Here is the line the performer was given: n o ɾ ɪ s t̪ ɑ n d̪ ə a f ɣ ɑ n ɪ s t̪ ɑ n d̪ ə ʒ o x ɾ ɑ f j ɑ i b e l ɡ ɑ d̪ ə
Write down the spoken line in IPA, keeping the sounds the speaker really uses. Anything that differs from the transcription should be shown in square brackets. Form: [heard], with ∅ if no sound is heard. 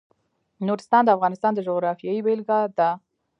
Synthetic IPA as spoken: n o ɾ ɪ s t̪ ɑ n d̪ ə a f ɣ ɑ n ɪ s t̪ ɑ n d̪ ə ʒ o [ɣ] ɾ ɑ f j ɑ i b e l ɡ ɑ d̪ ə